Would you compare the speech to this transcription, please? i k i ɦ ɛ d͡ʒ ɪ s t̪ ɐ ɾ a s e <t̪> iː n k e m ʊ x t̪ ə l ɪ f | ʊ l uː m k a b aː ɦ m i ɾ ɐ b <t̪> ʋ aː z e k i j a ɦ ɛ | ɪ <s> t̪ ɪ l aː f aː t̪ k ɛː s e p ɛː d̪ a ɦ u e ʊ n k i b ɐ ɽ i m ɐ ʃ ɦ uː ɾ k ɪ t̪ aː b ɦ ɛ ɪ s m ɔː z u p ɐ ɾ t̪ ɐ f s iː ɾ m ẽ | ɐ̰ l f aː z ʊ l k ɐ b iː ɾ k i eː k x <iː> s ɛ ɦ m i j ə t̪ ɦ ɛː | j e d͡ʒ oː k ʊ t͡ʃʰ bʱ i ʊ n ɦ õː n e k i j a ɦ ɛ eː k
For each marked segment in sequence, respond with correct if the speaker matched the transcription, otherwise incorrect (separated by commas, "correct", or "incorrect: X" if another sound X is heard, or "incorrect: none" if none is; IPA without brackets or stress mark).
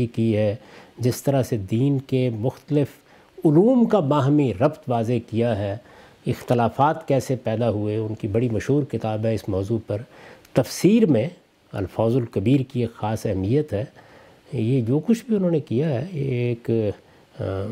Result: incorrect: d̪, correct, incorrect: x, incorrect: aː